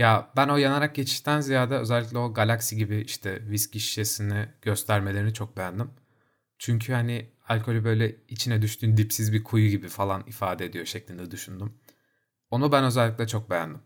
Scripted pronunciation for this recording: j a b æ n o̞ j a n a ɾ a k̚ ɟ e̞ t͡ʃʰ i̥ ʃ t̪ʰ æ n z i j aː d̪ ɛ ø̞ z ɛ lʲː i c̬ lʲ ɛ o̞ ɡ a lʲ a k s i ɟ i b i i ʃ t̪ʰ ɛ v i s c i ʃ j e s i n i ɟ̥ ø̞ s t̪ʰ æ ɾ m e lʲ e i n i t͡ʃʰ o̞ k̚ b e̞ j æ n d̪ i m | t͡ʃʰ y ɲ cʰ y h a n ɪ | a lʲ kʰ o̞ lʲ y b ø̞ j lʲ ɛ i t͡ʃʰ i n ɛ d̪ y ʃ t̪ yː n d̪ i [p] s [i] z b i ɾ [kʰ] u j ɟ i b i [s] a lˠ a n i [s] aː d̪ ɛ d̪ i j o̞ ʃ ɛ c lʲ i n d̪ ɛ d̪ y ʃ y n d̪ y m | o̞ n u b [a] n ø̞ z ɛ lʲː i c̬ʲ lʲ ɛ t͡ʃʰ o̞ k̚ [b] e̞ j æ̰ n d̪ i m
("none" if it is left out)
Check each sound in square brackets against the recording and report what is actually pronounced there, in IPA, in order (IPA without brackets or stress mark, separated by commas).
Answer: p, i, kʰ, f, f, æ, b